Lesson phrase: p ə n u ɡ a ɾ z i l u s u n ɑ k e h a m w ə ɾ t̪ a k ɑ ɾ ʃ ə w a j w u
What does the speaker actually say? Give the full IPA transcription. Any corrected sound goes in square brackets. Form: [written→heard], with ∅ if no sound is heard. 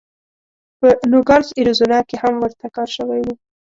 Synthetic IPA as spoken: p ə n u ɡ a ɾ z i [l→ɾ] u [s→z] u n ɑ k e h a m w ə ɾ t̪ a k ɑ ɾ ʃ ə w a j w u